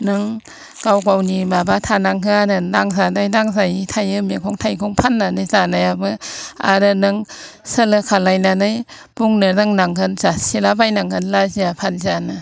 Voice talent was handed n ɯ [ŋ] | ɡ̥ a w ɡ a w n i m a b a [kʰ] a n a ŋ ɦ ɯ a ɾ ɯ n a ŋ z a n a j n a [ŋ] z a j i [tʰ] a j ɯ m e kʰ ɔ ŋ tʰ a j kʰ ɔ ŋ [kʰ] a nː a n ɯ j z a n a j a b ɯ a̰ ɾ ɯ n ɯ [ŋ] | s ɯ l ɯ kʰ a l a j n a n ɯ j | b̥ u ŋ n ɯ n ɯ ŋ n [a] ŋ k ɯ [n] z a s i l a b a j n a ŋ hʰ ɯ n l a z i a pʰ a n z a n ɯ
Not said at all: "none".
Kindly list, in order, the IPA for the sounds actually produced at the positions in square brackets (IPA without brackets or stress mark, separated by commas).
ŋ, tʰ, ŋ, tʰ, pʰ, ŋ, a, n